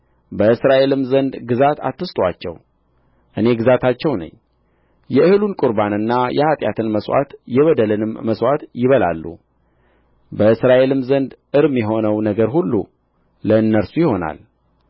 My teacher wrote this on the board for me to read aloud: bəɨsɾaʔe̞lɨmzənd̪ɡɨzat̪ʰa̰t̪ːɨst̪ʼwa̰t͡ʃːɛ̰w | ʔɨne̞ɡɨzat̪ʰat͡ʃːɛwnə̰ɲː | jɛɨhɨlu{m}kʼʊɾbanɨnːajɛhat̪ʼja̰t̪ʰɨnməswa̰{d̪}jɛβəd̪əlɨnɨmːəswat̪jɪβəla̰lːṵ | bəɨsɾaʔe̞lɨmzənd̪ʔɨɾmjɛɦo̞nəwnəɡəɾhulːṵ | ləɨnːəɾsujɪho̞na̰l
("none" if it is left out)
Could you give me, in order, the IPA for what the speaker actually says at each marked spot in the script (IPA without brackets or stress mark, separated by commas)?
n, t̪